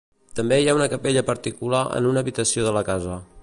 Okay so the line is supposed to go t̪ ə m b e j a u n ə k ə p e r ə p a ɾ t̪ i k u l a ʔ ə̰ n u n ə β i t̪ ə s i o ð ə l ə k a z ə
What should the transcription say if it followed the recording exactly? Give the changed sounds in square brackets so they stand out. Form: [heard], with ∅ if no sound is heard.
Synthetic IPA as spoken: t̪ ə m b e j a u n ə k ə p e [ʎ] ə p [ə] ɾ t̪ i k u l a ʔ ə̰ n u n ə β i t̪ ə s i o ð ə l ə k a z ə